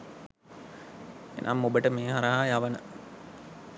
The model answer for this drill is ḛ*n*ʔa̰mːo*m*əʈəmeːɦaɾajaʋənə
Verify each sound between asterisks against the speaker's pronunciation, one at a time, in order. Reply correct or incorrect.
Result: correct, incorrect: b

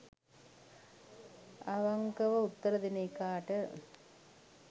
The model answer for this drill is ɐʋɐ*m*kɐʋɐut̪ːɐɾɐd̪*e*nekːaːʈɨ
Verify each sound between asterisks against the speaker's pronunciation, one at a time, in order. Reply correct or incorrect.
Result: incorrect: ŋ, incorrect: i

